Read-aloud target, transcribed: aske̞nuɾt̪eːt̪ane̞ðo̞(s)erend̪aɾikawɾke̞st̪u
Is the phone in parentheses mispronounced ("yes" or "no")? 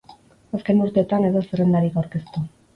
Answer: no